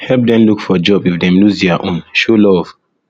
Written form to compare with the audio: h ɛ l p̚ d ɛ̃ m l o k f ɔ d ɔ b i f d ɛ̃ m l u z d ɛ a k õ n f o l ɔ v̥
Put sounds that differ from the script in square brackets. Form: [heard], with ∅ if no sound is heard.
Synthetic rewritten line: h ɛ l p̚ d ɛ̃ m l [u] k f ɔ [d͡ʒ] ɔ b i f d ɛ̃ m l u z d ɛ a [ʔ] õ n [ʃ] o l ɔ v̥